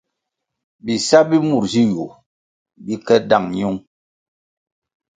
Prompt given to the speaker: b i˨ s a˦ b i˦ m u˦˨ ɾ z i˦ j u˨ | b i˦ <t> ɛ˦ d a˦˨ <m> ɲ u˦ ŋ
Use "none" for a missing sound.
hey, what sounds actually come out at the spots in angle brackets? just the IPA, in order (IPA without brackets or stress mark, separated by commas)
k, ŋ